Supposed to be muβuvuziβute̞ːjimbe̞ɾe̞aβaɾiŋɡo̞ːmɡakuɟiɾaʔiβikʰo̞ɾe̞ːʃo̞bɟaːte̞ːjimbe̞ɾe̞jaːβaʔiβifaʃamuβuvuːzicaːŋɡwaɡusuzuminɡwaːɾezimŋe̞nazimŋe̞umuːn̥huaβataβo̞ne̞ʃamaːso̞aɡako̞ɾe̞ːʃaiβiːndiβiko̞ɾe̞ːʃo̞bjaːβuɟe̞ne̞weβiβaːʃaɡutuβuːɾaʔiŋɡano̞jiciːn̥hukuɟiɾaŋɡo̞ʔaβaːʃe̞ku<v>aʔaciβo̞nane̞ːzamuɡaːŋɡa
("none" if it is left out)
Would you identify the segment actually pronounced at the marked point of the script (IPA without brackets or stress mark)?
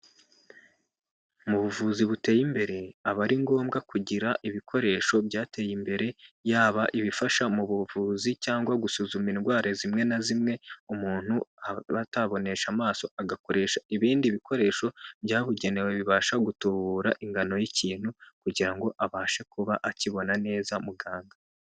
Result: β